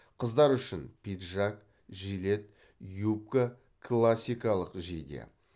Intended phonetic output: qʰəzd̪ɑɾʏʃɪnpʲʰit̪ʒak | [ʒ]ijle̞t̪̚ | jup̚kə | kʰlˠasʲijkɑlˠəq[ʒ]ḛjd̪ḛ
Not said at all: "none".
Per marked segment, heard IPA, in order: ʒ, ʒ

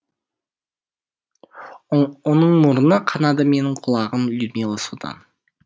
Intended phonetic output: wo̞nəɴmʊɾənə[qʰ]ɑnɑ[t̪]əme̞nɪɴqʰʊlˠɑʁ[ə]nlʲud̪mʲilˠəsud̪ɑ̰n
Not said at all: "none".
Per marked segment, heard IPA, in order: qʰ, d̪, ə

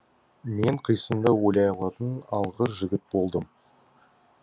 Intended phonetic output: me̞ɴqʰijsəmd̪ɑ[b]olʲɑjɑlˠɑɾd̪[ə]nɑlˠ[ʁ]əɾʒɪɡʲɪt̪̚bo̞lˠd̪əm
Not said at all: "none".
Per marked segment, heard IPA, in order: w, ə, ʁ

